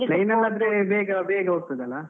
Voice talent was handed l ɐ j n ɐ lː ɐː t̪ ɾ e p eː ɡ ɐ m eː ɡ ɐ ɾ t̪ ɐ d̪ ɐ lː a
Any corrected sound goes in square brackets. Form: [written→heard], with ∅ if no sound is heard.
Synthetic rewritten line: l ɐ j n ɐ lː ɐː [t̪→d̪] ɾ e [p→b] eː ɡ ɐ [m→b] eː ɡ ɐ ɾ t̪ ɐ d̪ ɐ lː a